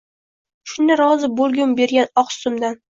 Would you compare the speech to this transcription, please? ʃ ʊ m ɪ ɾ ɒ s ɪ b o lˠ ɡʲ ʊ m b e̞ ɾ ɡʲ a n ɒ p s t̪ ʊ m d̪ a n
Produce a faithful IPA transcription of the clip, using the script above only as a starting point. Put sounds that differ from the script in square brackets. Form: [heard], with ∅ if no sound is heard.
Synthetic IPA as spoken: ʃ ʊ [n] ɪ ɾ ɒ [z] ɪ b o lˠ ɡʲ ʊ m b e̞ ɾ ɡʲ a n ɒ [q] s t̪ ʊ m d̪ a n